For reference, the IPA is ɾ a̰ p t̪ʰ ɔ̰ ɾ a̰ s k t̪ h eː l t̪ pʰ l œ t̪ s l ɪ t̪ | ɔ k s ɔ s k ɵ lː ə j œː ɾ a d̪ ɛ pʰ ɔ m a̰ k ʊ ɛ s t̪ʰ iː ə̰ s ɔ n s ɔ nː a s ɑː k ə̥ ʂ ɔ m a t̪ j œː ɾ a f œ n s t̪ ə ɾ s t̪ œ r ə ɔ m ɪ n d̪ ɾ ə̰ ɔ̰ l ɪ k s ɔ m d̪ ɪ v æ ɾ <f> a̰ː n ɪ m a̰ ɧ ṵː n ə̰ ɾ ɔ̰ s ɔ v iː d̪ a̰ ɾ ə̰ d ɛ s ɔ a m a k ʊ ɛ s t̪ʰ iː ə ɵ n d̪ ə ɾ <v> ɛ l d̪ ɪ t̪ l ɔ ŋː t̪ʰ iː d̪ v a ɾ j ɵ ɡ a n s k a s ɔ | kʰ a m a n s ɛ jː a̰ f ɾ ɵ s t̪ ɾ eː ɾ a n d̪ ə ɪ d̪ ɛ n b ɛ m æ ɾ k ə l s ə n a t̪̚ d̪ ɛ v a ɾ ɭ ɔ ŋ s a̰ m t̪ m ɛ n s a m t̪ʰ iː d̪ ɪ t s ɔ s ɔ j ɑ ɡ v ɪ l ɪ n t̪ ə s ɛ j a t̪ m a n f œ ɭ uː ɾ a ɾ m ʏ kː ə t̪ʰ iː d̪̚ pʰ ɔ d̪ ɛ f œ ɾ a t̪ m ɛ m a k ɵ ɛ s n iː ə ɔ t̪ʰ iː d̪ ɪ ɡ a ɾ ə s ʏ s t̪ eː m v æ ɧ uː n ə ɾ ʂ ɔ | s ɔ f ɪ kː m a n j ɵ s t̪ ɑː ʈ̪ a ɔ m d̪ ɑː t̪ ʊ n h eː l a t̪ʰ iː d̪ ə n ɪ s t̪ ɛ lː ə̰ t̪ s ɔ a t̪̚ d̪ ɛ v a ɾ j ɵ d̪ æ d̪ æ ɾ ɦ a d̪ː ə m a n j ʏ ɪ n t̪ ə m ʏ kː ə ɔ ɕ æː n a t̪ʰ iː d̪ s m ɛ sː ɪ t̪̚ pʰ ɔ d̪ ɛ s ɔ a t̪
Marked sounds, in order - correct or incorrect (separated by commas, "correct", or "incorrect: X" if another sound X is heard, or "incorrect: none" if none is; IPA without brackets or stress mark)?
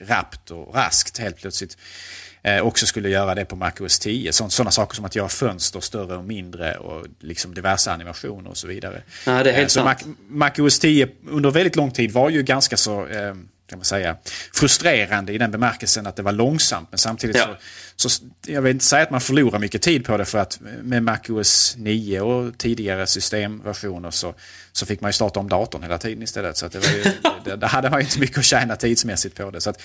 incorrect: ʂ, correct